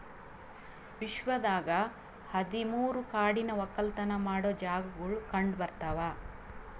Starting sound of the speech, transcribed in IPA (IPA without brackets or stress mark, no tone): ʋ